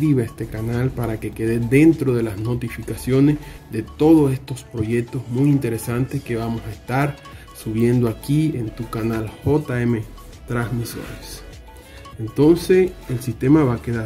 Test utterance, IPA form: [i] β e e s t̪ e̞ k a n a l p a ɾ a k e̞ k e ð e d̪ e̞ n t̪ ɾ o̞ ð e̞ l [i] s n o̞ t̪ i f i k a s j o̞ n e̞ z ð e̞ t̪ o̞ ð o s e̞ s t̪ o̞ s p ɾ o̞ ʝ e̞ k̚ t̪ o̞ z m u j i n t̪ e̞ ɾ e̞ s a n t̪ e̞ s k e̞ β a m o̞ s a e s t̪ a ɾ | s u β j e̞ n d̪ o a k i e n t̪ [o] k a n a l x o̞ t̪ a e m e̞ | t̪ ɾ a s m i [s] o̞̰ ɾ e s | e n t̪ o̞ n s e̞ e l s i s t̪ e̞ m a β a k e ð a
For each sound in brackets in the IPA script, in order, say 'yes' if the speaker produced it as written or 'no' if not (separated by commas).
yes, no, no, yes